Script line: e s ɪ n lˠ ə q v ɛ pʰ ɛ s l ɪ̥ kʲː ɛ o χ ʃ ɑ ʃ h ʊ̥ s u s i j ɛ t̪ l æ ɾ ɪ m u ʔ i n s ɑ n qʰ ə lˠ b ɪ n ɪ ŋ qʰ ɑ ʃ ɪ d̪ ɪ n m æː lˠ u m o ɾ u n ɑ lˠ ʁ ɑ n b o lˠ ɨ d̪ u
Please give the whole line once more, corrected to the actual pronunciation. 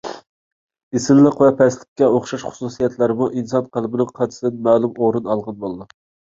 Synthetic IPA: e s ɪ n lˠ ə q v ɛ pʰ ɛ s l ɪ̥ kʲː ɛ o χ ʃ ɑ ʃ χ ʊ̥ s u s i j ɛ t̪ l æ ɾ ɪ m u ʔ i n s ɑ n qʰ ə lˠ b ɪ n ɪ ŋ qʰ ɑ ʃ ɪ d̪ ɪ n m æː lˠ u m o ɾ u n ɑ lˠ ʁ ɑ n b o lˠ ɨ d̪ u

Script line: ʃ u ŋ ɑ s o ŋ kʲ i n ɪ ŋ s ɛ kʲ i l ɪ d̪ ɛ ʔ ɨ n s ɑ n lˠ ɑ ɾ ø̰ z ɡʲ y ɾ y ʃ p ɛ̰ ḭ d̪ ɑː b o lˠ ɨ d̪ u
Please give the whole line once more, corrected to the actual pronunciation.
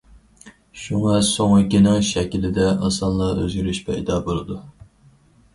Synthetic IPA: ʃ u ŋ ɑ s o ŋ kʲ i n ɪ ŋ ʃ ɛ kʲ i l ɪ d̪ ɛ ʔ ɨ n s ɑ n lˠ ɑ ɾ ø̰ z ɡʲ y ɾ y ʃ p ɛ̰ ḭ d̪ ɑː b o lˠ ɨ d̪ u

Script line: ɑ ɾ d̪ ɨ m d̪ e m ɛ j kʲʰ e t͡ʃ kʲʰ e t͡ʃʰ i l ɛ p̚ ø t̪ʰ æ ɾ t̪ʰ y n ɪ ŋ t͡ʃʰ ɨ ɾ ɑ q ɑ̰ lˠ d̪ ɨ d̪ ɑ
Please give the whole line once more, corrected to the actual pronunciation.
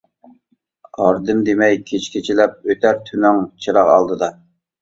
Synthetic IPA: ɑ ɾ d̪ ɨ m d̪ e m ɛ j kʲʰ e t͡ʃ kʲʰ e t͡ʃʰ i l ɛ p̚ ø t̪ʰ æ ɾ t̪ʰ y n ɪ ŋ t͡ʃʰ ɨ ɾ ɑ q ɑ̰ lˠ d̪ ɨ d̪ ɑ

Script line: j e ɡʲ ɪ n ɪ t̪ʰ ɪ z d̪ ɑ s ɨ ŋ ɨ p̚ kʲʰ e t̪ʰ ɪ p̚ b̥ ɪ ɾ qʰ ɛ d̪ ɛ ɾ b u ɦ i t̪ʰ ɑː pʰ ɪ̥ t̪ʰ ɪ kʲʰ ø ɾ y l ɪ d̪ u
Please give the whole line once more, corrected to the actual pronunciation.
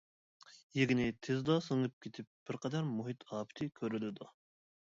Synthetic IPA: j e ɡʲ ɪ n ɪ t̪ʰ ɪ z d̪ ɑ s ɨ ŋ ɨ p̚ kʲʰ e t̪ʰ ɪ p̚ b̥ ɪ ɾ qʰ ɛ d̪ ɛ ɾ m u ɦ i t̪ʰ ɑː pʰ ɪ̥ t̪ʰ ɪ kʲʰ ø ɾ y l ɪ d̪ u

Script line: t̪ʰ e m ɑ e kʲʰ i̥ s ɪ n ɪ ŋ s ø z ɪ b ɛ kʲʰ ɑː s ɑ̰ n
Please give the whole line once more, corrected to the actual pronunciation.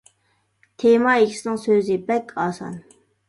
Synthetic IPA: t̪ʰ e m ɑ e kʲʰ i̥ s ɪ n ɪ ŋ s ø z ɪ b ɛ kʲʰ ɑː s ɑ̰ n

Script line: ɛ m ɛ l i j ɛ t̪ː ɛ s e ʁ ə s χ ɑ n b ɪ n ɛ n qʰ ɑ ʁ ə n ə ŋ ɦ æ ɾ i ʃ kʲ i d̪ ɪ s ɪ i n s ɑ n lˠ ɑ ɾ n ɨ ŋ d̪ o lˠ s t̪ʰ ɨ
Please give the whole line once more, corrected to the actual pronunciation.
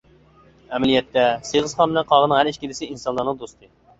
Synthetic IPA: ɛ m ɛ l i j ɛ t̪ː ɛ s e ʁ ə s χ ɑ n b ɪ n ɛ n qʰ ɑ ʁ ə n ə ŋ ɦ æ ɾ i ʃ kʲ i d̪ ɪ s ɪ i n s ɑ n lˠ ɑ ɾ n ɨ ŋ d̪ o s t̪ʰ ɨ

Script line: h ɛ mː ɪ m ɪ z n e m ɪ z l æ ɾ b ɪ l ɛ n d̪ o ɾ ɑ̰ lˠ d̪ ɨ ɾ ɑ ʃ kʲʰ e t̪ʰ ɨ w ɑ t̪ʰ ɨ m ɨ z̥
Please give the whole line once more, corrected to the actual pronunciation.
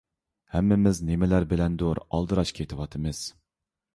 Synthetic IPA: h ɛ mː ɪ m ɪ z n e m ɪ l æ ɾ b ɪ l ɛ n d̪ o ɾ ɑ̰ lˠ d̪ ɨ ɾ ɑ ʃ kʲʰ e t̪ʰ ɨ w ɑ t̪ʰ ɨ m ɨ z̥

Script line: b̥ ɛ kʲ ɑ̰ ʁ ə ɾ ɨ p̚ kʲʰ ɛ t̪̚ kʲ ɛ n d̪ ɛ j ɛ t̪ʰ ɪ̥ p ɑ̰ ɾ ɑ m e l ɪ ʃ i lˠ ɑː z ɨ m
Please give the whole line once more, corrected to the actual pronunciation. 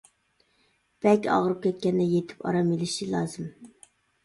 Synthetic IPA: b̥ ɛ kʲ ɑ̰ ʁ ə ɾ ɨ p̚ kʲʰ ɛ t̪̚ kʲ ɛ n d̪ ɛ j e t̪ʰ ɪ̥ p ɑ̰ ɾ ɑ m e l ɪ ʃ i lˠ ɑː z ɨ m

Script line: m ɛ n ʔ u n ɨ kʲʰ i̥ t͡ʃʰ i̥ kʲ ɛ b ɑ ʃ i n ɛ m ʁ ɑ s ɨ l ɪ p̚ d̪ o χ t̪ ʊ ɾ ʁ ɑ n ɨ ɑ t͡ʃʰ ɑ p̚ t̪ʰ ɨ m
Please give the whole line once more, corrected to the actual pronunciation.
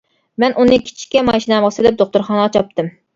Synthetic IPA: m ɛ n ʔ u n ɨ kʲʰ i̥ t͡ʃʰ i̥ kʲ ɛ m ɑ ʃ i n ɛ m ʁ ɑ s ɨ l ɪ p̚ d̪ o χ t̪ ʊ ɾ χ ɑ n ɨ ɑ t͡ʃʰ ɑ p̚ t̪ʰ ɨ m

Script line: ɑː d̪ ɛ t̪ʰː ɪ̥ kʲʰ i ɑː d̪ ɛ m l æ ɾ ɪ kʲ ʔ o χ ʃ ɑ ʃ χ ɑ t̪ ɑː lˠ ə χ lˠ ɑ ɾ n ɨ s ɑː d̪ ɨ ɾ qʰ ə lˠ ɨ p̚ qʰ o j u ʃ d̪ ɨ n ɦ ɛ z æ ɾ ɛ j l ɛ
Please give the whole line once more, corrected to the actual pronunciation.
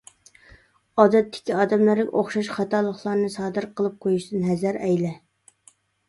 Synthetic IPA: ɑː d̪ ɛ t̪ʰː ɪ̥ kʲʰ i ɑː d̪ ɛ m l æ ɾ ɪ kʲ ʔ o χ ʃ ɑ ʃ χ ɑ t̪ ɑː lˠ ə χ lˠ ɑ ɾ n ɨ s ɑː d̪ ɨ ɾ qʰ ə lˠ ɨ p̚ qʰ o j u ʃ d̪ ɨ n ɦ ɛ z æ ɾ ɛ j l ɛ

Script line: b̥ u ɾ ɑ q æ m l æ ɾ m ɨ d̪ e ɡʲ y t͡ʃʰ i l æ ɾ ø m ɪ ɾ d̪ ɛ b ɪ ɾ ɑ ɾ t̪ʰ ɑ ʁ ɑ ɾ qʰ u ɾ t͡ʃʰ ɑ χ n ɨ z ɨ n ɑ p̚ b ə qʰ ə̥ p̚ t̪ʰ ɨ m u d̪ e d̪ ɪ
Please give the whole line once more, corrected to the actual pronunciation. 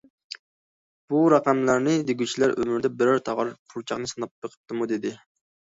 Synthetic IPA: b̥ u ɾ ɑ q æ m l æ ɾ n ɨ d̪ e ɡʲ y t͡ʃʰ i l æ ɾ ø m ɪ ɾ d̪ ɛ b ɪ ɾ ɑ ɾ t̪ʰ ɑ ʁ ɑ ɾ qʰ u ɾ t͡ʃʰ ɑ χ n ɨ s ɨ n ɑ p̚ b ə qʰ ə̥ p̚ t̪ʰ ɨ m u d̪ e d̪ ɪ

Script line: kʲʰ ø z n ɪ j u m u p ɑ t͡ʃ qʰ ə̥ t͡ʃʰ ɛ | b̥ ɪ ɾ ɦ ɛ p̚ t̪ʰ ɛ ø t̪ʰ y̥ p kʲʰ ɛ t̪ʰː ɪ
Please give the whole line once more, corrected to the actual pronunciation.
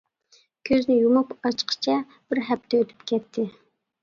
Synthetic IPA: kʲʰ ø z n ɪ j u m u p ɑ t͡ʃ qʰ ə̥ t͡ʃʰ ɛ | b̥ ɪ ɾ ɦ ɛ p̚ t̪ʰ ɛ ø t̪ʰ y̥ p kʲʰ ɛ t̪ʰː ɪ

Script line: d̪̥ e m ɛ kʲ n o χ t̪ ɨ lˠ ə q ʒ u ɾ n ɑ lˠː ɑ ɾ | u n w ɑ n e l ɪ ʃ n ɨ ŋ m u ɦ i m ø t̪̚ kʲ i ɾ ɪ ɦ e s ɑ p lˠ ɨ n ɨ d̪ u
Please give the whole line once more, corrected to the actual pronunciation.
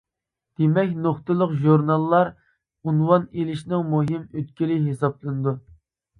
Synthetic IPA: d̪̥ e m ɛ kʲ n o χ t̪ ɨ lˠ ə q ʒ u ɾ n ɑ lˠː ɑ ɾ | u n w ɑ n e l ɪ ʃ n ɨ ŋ m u ɦ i m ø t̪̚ kʲ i l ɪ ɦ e s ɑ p lˠ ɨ n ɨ d̪ u

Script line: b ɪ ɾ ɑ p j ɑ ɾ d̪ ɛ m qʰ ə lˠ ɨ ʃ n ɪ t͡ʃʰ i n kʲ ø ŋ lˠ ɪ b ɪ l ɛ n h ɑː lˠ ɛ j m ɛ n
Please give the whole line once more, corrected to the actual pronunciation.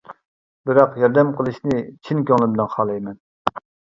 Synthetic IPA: b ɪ ɾ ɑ q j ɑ ɾ d̪ ɛ m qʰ ə lˠ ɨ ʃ n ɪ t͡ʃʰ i n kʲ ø ŋ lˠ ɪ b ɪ l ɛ n χ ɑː lˠ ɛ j m ɛ n

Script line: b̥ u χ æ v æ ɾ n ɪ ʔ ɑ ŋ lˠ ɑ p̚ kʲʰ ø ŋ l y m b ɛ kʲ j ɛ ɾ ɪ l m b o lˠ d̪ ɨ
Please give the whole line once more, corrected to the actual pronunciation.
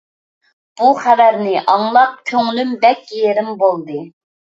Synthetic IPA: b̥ u χ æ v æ ɾ n ɪ ʔ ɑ ŋ lˠ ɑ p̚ kʲʰ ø ŋ l y m b ɛ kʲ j e ɾ ɪ m b o lˠ d̪ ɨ

